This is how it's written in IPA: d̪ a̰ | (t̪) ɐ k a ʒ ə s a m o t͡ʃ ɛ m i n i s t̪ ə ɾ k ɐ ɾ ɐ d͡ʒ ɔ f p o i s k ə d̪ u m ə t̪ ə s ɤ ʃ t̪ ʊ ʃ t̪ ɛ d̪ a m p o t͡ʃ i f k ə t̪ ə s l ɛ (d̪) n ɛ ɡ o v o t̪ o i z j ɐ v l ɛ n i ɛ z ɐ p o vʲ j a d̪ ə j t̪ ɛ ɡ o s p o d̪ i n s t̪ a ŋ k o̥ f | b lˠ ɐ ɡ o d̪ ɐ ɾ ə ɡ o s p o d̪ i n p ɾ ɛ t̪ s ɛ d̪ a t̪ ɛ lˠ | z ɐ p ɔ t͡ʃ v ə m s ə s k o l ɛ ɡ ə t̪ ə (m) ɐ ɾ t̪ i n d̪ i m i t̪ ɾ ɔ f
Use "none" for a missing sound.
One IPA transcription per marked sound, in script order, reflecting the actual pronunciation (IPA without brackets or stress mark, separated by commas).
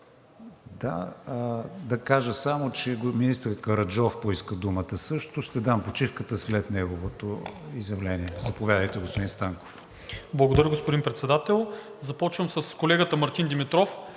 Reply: d̪, t̪, m